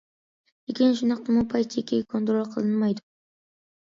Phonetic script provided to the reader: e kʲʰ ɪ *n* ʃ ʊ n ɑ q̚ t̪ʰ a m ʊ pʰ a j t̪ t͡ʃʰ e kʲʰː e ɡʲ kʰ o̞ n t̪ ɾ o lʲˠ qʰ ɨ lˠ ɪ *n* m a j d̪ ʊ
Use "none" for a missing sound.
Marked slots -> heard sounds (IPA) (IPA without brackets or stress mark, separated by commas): n, n